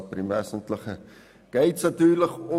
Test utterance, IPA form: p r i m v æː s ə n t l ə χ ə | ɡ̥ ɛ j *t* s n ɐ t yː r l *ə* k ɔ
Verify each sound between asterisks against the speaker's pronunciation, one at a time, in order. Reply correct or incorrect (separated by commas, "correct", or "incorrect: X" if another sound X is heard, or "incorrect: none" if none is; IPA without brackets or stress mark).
correct, correct